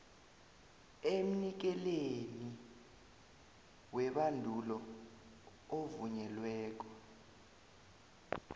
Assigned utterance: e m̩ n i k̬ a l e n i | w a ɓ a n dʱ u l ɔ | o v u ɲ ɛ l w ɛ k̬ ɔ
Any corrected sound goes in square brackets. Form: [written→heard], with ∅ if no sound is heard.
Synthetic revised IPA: e m̩ n i k̬ [a→ɛ] l e n i | w [a→ɛ] ɓ a n dʱ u l ɔ | o v u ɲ ɛ l w [ɛ→ɛː] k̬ ɔ